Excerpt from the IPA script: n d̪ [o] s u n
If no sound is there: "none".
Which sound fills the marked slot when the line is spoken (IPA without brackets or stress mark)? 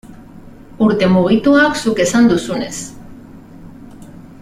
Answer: u